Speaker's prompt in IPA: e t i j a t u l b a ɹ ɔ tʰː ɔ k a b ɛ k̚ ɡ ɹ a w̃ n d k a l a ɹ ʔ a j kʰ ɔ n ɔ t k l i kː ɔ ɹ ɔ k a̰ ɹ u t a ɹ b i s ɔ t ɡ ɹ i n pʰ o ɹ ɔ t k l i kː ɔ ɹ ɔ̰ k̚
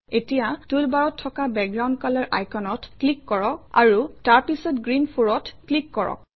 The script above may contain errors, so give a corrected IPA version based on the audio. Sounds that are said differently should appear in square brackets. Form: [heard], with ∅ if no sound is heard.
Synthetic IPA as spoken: e t i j a t u l b a ɹ ɔ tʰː ɔ k a b ɛ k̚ ɡ ɹ a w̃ n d k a l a ɹ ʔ a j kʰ ɔ n ɔ t k l i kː ɔ ɹ ɔ k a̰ ɹ u t a ɹ [p] i s ɔ t ɡ ɹ i n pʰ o ɹ ɔ t k l i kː ɔ ɹ ɔ̰ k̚